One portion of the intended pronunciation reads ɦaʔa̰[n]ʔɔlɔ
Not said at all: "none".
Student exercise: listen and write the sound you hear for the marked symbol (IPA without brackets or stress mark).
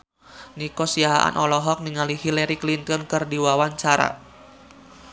n